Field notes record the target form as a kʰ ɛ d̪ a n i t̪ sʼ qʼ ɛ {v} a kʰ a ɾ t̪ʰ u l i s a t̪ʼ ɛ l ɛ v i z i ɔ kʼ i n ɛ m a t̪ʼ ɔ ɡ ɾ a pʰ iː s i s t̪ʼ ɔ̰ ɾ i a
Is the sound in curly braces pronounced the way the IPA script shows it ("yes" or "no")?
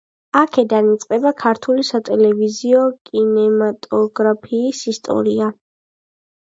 no